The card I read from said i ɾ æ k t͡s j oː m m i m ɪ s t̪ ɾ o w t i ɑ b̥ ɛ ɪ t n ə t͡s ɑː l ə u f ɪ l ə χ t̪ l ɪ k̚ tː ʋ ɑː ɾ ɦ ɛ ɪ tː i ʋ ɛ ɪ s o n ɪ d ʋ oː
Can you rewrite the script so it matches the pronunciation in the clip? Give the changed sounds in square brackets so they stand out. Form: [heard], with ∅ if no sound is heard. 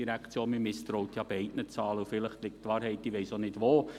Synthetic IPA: i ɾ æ k t͡s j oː [n] m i m ɪ s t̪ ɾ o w t [j] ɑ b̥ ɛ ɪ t n ə t͡s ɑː l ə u f ɪ l ə χ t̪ l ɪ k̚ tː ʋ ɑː ɾ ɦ ɛ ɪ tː i ʋ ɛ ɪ s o n ɪ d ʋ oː